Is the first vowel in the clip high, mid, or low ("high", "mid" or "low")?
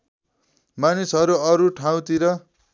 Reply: low